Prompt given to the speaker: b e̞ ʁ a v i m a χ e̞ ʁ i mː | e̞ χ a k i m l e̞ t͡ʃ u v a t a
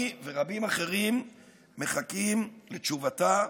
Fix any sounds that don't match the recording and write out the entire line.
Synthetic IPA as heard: v e̞ ʁ a b i m a χ e̞ ʁ i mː | e̞ χ a k i m l e̞ t͡ʃ u v a t a